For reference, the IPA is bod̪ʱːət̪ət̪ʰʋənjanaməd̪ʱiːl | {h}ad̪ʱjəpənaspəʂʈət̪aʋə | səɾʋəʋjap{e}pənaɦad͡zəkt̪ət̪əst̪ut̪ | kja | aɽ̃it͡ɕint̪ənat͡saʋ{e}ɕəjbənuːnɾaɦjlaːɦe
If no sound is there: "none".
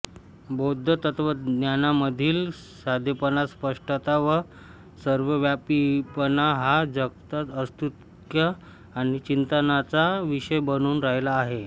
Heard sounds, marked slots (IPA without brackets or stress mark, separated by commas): s, i, i